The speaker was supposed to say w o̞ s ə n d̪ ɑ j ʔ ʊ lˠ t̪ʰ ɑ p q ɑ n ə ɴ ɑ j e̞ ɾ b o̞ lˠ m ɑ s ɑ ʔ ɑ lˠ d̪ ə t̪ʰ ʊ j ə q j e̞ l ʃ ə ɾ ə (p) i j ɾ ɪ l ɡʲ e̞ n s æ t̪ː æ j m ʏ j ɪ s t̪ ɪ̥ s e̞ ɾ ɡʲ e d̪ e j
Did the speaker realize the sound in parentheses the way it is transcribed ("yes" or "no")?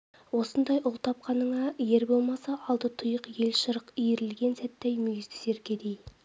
no